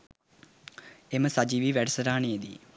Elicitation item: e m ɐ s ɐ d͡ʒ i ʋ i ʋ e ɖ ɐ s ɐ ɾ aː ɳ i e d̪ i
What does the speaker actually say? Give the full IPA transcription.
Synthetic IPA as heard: e m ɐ s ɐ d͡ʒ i ʋ i ʋ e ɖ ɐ s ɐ ɾ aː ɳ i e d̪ i